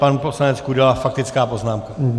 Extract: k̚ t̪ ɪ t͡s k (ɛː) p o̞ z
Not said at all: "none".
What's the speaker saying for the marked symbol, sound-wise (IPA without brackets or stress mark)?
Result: aː